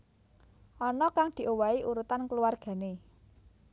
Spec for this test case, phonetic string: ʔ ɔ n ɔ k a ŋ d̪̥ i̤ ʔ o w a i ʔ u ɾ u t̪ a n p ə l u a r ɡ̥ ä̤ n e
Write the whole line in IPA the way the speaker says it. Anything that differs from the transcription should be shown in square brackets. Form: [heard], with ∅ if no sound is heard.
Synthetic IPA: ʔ ɔ n ɔ k a ŋ d̪̥ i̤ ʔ o w a i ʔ u ɾ u t̪ a n [k] ə l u a r ɡ̥ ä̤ n e